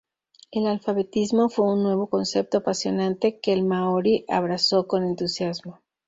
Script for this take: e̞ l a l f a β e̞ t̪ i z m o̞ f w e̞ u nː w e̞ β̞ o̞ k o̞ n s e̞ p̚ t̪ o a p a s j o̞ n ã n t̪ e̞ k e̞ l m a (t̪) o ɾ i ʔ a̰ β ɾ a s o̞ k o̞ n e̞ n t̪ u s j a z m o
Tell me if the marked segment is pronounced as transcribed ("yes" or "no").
no